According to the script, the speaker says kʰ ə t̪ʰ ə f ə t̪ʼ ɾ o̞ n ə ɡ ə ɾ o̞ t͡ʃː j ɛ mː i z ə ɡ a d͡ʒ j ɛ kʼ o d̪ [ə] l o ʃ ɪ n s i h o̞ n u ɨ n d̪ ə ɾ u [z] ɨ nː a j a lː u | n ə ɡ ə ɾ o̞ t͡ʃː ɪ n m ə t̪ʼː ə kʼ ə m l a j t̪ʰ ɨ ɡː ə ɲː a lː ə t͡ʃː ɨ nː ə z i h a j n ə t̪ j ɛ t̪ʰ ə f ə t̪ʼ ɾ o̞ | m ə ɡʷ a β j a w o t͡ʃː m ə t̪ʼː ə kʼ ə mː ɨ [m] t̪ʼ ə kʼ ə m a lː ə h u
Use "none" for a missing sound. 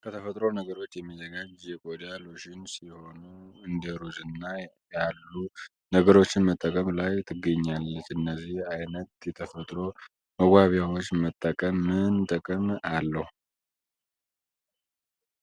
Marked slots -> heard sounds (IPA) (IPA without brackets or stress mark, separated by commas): a, z, n